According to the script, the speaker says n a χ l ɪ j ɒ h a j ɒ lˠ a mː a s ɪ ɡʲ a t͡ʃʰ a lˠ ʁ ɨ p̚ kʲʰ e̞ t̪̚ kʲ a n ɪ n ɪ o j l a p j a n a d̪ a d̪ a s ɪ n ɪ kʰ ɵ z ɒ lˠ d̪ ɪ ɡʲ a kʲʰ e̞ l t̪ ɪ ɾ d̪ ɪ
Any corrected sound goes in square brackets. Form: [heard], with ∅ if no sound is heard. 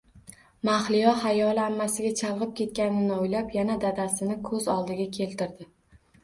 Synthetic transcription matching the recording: [m] a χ l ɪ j ɒ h a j ɒ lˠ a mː a s ɪ ɡʲ a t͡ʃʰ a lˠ ʁ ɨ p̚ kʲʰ e̞ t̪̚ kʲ a n ɪ n ɪ o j l a p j a n a d̪ a d̪ a s ɪ n ɪ kʰ ɵ z ɒ lˠ d̪ ɪ ɡʲ a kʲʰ e̞ l t̪ ɪ ɾ d̪ ɪ